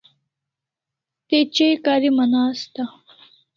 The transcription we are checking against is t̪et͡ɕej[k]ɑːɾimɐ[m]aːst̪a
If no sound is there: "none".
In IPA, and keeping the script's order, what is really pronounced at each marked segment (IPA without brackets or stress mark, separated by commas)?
k, n